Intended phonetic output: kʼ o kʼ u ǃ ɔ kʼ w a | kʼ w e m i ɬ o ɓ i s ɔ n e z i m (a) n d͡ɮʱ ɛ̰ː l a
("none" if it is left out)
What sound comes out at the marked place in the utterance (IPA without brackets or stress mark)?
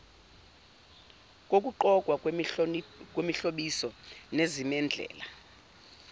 ɛ